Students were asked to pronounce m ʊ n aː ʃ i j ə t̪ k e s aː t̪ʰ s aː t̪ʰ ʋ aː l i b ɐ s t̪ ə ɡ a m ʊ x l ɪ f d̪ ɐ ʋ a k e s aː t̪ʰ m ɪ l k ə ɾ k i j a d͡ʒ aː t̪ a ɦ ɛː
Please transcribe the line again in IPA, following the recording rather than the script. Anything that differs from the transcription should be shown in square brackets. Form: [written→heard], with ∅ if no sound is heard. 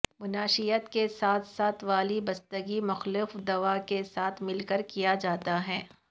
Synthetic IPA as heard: m ʊ n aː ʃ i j ə t̪ k e s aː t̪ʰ s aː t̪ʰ ʋ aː l i b ɐ s t̪ ə ɡ [a→i] m ʊ x l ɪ f d̪ ɐ ʋ a k e s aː t̪ʰ m ɪ l k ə ɾ k i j a d͡ʒ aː t̪ a ɦ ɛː